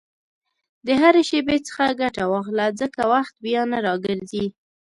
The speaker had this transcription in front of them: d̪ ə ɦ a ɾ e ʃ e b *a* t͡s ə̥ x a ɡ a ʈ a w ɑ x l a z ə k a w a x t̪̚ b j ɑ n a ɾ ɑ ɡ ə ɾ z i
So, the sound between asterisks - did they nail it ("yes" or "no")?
no